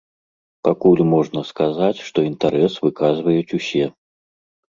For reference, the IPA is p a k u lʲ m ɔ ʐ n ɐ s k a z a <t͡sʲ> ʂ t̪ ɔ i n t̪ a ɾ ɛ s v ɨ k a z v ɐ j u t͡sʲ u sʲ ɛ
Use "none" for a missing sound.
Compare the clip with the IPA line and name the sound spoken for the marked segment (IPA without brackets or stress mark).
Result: t͡sʲ